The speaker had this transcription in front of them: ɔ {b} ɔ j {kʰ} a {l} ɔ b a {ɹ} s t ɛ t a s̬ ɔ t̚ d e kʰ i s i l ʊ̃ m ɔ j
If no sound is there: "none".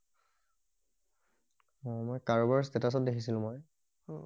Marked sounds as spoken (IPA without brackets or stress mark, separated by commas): m, k, ɹ, ɹ